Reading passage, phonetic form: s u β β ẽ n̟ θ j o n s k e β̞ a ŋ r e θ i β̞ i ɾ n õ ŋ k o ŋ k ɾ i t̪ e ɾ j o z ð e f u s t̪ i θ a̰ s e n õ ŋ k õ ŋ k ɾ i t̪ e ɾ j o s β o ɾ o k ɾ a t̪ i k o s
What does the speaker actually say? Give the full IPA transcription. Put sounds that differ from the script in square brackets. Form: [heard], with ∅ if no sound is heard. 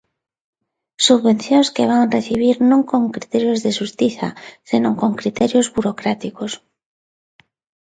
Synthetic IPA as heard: s u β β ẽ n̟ θ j o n s k e β̞ a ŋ r e θ i β̞ i ɾ n õ ŋ k o ŋ k ɾ i t̪ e ɾ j o z ð e [ʃ] u s t̪ i θ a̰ s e n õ ŋ k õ ŋ k ɾ i t̪ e ɾ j o [z] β [u] ɾ o k ɾ a t̪ i k o s